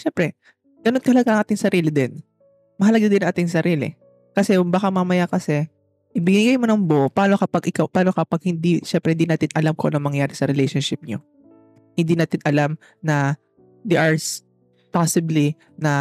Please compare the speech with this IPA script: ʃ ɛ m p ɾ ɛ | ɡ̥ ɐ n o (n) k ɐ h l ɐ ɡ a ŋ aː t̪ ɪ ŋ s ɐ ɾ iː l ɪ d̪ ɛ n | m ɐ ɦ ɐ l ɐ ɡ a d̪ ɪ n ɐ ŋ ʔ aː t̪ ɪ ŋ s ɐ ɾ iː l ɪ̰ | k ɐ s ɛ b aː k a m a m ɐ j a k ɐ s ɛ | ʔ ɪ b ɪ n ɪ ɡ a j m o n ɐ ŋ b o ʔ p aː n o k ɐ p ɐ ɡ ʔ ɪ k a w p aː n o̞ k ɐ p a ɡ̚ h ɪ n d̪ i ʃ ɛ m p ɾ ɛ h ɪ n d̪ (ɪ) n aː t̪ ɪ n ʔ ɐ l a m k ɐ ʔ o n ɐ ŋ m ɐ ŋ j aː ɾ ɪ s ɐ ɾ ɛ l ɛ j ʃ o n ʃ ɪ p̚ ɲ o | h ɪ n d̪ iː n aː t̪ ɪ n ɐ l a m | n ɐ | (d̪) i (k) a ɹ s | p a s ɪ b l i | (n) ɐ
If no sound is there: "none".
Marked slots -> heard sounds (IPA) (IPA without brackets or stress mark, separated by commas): n, i, d̪, ʔ, n